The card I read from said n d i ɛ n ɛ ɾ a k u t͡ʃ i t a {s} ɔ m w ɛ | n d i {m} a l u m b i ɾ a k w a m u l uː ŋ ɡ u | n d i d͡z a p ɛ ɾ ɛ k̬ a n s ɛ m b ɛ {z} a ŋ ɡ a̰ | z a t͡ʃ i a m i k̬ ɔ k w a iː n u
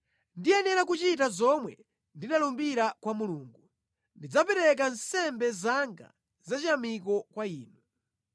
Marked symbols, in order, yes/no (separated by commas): no, no, yes